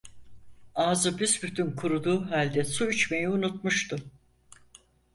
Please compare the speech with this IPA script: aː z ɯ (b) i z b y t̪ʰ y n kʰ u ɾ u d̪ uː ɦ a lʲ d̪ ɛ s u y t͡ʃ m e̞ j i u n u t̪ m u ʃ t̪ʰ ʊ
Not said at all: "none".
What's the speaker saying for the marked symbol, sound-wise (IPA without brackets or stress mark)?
b